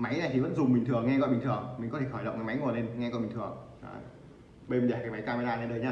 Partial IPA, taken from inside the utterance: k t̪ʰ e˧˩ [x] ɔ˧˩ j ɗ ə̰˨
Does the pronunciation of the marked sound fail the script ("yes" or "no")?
no